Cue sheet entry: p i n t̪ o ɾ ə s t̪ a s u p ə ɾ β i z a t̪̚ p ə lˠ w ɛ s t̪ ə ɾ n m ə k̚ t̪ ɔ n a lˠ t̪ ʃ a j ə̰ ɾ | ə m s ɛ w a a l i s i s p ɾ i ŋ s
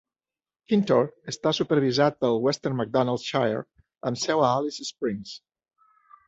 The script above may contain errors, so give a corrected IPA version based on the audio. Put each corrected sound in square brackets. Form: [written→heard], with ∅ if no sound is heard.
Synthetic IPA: [p→k] i n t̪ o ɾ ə s t̪ a s u p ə ɾ β i z a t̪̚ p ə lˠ w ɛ s t̪ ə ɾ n m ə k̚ [t̪→d̪] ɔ n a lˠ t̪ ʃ a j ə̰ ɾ | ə m s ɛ w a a l i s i s p ɾ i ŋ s